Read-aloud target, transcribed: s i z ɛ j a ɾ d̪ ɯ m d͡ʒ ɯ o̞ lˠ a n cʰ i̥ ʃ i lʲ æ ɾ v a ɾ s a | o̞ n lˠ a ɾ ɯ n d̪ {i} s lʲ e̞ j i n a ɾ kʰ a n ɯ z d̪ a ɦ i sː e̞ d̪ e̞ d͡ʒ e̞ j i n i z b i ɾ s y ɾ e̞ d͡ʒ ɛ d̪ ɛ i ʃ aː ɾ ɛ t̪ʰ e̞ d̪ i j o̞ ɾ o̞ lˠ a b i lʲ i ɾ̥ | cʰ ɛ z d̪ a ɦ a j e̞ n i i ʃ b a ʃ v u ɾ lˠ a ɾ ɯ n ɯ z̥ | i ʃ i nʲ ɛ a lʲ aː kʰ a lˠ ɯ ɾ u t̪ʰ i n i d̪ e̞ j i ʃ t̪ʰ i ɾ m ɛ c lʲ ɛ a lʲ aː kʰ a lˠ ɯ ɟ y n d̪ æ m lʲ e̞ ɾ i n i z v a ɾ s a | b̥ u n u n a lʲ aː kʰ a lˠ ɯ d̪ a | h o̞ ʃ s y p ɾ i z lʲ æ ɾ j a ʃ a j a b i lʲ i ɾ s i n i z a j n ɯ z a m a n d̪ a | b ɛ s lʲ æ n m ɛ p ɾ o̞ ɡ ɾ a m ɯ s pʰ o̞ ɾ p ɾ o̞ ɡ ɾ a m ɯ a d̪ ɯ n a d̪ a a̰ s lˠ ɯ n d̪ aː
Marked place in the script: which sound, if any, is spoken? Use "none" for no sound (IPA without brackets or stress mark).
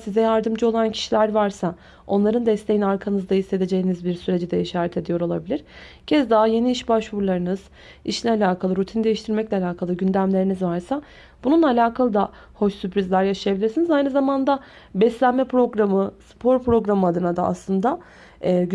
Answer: ɛ